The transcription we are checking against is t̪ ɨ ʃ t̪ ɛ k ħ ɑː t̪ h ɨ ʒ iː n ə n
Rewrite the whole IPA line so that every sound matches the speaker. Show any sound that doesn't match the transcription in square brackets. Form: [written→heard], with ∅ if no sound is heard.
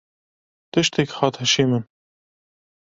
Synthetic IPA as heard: t̪ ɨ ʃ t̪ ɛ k [ħ→h] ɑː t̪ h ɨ [ʒ→ʃ] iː [n→m] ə n

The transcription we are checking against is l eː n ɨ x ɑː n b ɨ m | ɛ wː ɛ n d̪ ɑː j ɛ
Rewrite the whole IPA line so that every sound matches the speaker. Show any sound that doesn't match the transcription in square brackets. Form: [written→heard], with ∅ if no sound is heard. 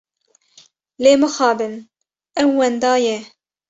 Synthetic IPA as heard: l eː [n→m] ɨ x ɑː [n→∅] b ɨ [m→n] | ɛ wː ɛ n d̪ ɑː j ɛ

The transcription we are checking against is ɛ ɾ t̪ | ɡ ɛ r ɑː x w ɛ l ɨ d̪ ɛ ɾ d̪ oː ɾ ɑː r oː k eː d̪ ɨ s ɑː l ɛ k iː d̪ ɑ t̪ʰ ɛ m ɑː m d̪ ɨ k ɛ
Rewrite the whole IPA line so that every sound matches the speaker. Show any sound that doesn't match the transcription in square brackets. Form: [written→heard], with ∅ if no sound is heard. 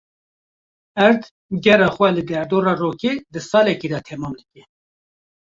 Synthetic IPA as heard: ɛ ɾ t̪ | ɡ ɛ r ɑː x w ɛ l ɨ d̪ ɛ ɾ d̪ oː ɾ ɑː r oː k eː d̪ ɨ s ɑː l ɛ k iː d̪ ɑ t̪ʰ ɛ m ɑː m d̪ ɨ k ɛ

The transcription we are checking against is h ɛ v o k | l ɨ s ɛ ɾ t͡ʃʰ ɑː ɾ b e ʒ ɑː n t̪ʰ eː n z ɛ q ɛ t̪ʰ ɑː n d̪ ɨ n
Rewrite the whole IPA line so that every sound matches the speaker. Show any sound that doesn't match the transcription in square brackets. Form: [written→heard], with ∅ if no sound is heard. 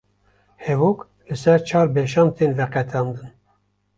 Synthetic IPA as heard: h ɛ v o k | l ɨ s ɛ ɾ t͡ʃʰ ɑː ɾ b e [ʒ→ʃ] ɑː n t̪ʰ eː n [z→v] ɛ q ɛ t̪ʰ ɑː n d̪ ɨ n

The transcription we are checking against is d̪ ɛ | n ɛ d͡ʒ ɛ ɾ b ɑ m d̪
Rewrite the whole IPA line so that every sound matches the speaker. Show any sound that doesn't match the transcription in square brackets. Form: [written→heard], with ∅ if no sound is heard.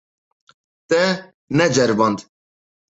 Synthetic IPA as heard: [d̪→t̪] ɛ | n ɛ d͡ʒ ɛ ɾ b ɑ [m→n] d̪

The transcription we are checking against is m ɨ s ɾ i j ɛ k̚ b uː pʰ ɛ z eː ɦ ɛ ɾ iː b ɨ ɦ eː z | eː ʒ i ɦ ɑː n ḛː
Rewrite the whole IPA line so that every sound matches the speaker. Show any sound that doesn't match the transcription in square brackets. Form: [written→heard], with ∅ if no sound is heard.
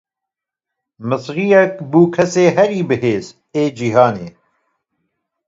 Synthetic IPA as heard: m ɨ s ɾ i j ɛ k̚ b uː [pʰ→kʰ] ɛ [z→s] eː ɦ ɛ ɾ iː b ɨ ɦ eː z | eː [ʒ→d͡ʒ] i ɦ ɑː n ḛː

